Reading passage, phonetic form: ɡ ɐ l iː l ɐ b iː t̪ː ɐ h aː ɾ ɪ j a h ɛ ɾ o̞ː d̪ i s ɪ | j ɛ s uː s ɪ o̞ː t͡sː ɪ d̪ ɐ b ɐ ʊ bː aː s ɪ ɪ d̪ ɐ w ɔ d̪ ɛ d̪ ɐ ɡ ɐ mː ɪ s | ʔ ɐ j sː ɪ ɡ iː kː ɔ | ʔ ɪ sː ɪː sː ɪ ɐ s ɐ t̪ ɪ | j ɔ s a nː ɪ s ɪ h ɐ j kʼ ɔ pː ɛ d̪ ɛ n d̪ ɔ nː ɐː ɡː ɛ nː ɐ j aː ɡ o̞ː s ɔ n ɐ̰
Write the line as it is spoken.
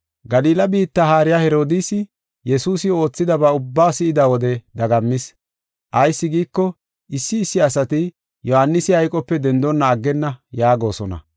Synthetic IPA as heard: ɡ ɐ l iː l ɐ b iː t̪ː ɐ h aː ɾ ɪ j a h ɛ ɾ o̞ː d̪ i s ɪ | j ɛ s uː s ɪ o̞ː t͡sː ɪ d̪ ɐ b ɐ ʊ bː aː s ɪ ɪ d̪ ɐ w ɔ d̪ ɛ d̪ ɐ ɡ ɐ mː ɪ s | ʔ ɐ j sː ɪ ɡ iː kː ɔ | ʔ ɪ sː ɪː sː ɪ ɐ s ɐ t̪ ɪ | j ɔ h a nː ɪ s ɪ h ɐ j kʼ ɔ pː ɛ d̪ ɛ n d̪ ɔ nː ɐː ɡː ɛ nː ɐ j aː ɡ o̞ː s ɔ n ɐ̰